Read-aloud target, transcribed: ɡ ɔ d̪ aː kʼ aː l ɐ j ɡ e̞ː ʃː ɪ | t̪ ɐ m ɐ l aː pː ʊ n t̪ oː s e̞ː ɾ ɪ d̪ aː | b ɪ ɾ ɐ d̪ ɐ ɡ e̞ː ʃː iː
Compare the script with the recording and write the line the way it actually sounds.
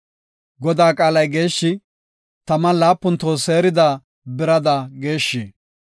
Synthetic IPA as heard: ɡ ɔ d̪ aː kʼ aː l ɐ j ɡ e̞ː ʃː ɪ | t̪ ɐ m ɐ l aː pː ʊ n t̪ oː s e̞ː ɾ ɪ d̪ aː | b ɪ ɾ ɐ d̪ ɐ ɡ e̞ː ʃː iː